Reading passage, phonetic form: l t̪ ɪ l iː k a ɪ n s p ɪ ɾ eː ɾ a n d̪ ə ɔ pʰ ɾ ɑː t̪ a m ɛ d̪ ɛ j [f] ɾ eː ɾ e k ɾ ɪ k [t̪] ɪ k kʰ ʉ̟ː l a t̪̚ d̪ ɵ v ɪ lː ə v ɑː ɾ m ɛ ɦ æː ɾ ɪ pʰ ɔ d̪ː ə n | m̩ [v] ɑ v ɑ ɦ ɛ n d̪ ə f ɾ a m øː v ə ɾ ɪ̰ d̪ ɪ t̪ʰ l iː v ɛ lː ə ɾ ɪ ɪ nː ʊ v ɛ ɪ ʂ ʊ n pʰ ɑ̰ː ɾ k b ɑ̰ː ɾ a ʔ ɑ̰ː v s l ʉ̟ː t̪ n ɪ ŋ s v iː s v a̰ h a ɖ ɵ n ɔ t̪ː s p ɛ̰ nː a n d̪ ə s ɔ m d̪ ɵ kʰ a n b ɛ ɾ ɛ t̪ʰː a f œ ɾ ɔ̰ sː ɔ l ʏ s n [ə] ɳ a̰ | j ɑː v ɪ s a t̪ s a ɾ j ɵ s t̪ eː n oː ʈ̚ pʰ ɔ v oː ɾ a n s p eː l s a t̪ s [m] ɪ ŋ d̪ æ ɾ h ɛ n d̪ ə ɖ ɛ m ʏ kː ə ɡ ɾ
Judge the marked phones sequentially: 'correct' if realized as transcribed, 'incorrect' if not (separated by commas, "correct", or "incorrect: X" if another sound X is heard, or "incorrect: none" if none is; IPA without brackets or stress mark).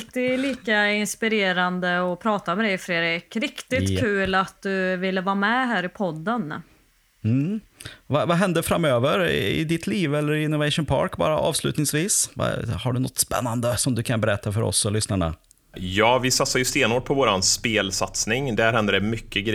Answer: correct, correct, correct, incorrect: a, incorrect: n